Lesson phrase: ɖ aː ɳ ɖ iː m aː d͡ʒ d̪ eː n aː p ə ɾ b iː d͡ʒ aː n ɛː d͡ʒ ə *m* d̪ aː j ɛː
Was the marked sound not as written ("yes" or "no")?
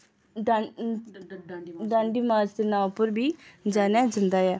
yes